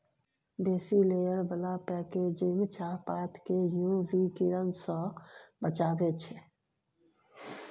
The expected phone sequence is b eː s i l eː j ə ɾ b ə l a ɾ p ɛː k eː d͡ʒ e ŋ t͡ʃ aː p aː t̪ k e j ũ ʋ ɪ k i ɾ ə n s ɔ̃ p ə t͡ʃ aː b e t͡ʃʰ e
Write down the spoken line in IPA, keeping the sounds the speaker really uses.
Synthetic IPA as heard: b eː s i l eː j ə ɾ b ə l a p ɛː k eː d͡ʒ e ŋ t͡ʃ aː p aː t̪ k e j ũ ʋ i k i ɾ ə n s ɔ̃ b ə t͡ʃ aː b e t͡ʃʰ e